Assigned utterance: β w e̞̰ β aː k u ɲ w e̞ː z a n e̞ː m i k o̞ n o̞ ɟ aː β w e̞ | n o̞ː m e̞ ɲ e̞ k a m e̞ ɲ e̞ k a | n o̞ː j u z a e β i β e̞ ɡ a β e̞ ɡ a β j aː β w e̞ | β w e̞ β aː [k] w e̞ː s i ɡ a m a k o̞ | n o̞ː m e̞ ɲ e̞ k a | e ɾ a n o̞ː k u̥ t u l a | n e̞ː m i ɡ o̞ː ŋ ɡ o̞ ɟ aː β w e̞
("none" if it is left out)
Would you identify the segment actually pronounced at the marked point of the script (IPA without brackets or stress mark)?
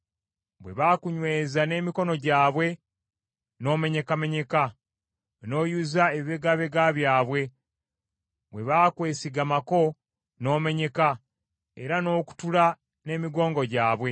k